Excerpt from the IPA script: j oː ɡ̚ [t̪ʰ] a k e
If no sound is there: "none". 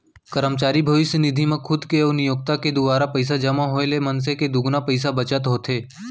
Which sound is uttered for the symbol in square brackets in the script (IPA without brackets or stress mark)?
t̪